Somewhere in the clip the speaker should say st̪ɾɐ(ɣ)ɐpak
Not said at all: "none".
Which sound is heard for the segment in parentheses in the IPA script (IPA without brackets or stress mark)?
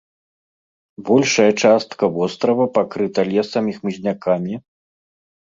v